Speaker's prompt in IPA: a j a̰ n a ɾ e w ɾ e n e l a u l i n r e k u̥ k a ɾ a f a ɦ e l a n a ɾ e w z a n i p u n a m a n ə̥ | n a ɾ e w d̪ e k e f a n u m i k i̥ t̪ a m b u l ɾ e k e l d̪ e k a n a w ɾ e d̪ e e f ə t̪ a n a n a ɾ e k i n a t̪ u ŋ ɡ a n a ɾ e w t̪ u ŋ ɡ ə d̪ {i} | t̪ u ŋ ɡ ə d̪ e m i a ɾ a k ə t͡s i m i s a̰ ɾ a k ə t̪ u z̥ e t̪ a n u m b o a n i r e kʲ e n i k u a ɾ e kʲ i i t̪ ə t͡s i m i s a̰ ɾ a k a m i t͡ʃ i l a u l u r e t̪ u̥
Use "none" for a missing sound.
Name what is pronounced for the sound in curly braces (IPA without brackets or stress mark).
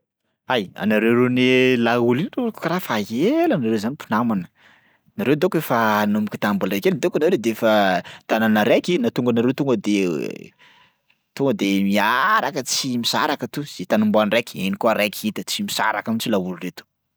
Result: e